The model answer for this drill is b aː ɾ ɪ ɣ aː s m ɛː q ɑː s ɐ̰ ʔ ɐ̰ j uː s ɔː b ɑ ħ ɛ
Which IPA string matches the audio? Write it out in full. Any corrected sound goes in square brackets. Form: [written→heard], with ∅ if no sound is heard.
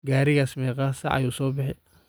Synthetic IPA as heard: [b→ɡ] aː ɾ ɪ ɣ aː s m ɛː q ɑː s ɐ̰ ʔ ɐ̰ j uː s ɔː b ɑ ħ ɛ